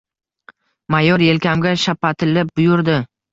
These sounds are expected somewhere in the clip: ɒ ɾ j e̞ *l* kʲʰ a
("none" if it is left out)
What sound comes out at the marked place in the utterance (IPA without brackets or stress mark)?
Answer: l